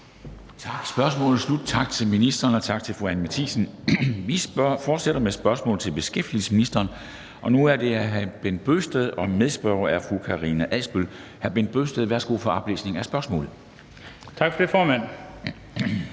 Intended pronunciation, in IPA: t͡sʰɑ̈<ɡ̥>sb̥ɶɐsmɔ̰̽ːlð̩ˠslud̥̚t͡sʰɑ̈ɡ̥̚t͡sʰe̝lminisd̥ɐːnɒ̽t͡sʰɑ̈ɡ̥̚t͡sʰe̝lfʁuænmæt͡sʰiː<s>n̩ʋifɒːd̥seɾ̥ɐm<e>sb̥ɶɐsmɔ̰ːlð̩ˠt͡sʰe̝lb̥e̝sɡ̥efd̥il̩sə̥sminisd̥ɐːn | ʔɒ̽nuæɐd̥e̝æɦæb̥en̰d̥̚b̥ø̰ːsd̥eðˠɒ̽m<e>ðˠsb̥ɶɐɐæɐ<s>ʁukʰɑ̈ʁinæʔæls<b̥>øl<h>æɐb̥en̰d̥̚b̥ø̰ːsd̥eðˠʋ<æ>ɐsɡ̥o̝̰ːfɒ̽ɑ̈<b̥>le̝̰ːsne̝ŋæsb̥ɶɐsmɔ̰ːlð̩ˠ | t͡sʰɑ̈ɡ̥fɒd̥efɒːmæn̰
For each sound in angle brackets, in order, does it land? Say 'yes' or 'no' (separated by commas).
yes, yes, yes, yes, no, yes, yes, yes, yes